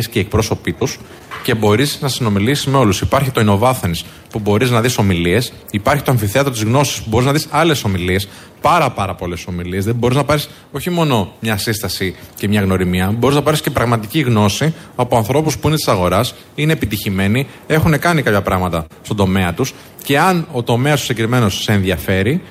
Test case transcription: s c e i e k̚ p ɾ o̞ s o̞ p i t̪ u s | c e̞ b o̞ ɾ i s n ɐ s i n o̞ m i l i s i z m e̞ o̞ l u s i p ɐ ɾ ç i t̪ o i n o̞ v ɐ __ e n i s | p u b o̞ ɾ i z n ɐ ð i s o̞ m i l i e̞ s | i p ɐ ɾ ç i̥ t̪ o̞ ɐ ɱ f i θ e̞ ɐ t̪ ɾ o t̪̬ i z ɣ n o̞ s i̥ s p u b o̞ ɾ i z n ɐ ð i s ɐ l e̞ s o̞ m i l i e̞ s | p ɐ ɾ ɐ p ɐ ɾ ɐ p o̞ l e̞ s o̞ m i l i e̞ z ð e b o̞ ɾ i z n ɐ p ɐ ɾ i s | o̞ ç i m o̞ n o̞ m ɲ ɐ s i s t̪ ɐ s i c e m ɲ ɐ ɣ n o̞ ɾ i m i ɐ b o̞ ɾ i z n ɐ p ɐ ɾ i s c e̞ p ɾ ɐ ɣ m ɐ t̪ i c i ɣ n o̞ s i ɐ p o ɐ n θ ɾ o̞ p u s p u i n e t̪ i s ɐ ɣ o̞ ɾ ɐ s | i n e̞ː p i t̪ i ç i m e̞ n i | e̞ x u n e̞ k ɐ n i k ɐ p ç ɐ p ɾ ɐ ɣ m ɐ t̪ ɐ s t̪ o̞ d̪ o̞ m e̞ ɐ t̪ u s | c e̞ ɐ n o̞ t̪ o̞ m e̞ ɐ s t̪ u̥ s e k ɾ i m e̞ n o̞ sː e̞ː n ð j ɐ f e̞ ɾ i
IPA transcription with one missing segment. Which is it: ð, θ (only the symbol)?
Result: θ